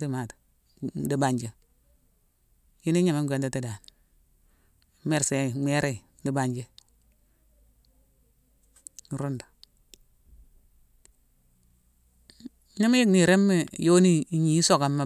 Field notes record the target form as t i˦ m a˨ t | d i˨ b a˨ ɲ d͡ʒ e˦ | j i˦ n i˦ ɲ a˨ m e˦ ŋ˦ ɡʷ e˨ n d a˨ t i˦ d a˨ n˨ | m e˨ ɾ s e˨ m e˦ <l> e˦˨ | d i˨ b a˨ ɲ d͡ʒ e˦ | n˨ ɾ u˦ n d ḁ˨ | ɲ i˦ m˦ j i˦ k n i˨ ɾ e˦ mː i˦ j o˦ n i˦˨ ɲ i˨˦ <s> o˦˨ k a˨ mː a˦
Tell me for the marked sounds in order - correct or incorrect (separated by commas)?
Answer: incorrect, correct